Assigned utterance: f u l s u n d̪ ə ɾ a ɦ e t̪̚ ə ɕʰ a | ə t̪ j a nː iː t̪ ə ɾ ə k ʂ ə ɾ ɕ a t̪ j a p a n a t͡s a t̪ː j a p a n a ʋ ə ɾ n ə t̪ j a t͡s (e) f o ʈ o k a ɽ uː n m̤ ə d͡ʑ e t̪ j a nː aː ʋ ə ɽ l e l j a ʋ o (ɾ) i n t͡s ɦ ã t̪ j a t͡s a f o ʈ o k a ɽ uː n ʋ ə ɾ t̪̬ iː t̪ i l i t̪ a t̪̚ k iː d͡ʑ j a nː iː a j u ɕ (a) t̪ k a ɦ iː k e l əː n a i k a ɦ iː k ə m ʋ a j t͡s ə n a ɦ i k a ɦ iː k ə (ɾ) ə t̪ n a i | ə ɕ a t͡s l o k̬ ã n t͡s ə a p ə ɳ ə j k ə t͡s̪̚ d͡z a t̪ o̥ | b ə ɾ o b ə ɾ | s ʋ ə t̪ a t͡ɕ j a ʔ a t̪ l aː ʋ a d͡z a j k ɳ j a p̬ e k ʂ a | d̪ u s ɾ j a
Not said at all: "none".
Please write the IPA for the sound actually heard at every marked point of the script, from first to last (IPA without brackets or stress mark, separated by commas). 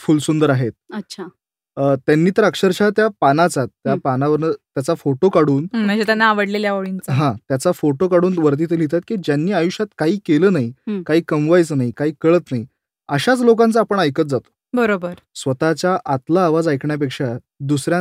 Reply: a, ɭ, a, ɭ